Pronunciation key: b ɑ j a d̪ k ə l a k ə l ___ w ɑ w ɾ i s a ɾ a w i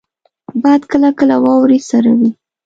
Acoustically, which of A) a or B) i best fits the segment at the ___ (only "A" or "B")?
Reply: A